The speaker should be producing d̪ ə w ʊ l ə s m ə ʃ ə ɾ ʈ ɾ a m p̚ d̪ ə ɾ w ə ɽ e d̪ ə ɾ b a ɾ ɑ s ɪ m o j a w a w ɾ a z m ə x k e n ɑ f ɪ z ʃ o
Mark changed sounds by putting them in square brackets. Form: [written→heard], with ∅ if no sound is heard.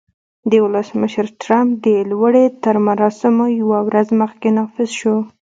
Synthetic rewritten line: d̪ ə w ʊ l ə s m ə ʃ ə ɾ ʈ ɾ a m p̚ d̪ ə [ɾ→l] w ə ɽ e [d̪→t̪] ə ɾ [b→m] a ɾ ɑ s ɪ m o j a w a w ɾ a z m ə x k e n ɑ f ɪ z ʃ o